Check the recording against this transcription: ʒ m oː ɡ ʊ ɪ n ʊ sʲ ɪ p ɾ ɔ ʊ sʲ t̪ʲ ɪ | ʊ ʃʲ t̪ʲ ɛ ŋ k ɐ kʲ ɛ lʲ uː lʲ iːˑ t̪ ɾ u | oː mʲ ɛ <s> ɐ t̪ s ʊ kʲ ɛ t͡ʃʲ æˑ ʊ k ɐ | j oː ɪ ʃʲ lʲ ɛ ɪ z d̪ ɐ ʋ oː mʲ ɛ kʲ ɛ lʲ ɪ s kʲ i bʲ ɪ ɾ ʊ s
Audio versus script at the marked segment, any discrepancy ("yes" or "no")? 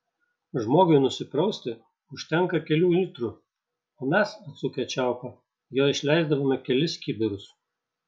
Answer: no